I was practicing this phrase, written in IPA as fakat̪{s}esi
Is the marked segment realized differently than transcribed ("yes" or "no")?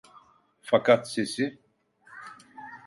no